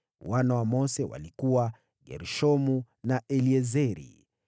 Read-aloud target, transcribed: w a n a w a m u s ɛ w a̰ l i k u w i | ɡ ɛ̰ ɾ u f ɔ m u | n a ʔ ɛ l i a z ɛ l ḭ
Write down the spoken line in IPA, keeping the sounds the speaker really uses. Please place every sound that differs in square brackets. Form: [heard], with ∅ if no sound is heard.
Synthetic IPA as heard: w a n a w a m [ɔ] s ɛ w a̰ l i k u w [a] | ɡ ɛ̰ ɾ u [ʃ] ɔ m u | n a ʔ ɛ l i [ɛ] z ɛ [ɾ] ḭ

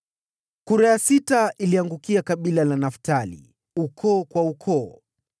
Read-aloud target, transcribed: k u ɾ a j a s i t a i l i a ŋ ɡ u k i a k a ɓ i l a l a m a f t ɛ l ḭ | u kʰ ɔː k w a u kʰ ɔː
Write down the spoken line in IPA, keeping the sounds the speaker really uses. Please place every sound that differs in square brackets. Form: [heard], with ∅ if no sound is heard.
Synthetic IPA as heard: k u ɾ a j a s i t a i l i a ŋ ɡ u k i a k a ɓ i l a l a [n] a f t [a] l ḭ | u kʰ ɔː k w a u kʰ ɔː

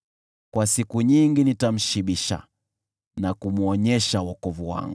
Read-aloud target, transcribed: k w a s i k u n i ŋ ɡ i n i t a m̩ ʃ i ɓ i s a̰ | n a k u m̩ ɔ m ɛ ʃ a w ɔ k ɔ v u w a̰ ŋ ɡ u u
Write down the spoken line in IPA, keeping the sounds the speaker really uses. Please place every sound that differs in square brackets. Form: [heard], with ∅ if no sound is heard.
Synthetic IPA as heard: k w a s i k u [ɲ] i ŋ ɡ i n i t a m̩ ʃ i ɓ i [ʃ] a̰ | n a k u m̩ ɔ [ɲ] ɛ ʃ a w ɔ k ɔ v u w a̰ ŋ ɡ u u

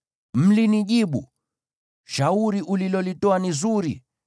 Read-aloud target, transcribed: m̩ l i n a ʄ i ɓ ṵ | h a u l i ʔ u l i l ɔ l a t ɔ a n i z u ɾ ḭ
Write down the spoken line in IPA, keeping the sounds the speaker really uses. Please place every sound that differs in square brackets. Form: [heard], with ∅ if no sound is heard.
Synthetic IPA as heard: m̩ l i n [i] ʄ i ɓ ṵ | [ʃ] a u [ɾ] i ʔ u l i l ɔ l [i] t ɔ a n i z u ɾ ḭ

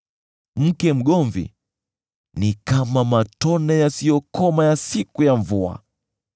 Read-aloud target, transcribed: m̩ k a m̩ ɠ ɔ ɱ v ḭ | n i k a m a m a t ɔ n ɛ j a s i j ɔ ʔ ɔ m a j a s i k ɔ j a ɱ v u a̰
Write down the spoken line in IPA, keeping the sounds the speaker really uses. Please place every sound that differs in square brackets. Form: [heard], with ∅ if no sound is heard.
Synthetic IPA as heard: m̩ k [ɛ] m̩ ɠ ɔ ɱ v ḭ | n i k a m a m a t ɔ n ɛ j a s i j ɔ [k] ɔ m a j a s i k [u] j a ɱ v u a̰

